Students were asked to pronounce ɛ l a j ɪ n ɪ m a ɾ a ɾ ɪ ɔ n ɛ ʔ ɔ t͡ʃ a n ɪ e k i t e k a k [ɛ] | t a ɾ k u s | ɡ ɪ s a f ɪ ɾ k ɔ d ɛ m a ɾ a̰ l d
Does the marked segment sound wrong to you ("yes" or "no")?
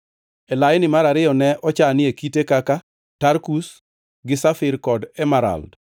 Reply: yes